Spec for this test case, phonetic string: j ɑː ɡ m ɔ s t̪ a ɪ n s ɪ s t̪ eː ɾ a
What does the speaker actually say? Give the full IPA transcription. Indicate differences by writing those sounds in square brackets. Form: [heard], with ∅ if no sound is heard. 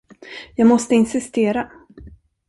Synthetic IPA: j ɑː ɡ m ɔ s t̪ [ə] ɪ n s ɪ s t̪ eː ɾ a